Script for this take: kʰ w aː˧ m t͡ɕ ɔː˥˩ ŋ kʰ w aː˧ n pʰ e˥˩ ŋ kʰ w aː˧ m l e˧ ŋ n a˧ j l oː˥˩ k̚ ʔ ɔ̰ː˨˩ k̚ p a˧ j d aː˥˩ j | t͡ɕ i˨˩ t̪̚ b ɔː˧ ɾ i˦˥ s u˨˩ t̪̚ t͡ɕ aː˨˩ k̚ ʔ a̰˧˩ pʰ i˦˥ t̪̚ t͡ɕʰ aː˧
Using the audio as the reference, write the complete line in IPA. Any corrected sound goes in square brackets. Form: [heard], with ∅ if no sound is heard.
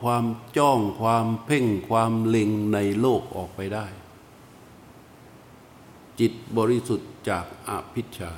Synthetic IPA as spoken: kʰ w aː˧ m t͡ɕ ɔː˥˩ ŋ kʰ w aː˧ [m] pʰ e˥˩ ŋ kʰ w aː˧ m l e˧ ŋ n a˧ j l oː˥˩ k̚ ʔ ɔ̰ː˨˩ k̚ p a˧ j d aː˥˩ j | t͡ɕ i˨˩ t̪̚ b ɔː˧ ɾ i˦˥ s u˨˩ t̪̚ t͡ɕ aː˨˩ k̚ ʔ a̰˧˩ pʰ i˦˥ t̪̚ t͡ɕʰ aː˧